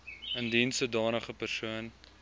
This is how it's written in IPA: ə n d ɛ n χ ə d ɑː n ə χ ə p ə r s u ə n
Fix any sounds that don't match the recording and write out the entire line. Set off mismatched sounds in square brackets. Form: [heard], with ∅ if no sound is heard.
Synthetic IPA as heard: ə n d [i] n [s] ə d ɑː n ə χ ə p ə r s u ə n